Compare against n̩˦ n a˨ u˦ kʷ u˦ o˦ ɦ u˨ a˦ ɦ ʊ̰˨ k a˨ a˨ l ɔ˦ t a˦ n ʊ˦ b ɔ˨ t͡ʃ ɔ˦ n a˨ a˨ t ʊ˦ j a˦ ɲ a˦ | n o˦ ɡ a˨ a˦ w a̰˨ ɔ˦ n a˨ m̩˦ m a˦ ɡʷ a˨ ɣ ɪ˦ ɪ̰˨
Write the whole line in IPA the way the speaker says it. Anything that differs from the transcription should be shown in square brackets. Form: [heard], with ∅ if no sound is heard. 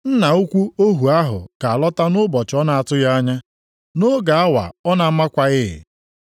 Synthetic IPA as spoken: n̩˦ n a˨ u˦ kʷ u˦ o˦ ɦ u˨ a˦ ɦ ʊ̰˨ k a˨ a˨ l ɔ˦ t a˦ n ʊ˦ b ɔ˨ t͡ʃ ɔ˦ n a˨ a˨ t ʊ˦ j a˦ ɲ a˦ | n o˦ ɡ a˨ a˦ w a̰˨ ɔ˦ n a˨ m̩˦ m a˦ [kʷ] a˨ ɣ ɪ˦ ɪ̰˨